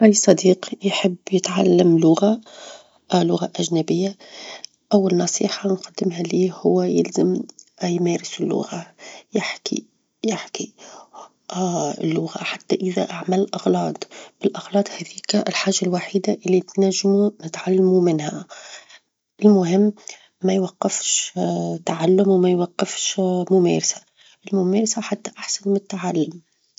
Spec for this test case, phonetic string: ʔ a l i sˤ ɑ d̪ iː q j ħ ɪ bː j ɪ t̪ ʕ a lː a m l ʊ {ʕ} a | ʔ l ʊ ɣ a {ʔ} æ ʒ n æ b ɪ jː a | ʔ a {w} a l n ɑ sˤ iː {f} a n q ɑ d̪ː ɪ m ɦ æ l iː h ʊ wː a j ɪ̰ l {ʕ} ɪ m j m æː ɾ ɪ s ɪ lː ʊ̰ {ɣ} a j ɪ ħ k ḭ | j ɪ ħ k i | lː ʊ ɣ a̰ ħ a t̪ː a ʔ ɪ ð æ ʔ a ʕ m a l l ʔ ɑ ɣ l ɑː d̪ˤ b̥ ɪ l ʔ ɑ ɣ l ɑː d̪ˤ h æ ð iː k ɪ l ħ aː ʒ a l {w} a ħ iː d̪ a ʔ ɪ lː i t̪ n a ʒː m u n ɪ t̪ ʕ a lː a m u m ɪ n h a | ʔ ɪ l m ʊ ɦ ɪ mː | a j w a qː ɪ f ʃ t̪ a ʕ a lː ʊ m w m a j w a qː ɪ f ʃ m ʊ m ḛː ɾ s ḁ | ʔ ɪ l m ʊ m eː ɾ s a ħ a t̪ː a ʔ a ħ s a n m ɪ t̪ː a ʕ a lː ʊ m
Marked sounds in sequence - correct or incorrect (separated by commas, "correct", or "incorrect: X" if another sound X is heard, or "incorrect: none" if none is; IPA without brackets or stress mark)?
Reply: incorrect: ɣ, correct, incorrect: wː, incorrect: ħ, incorrect: z, correct, correct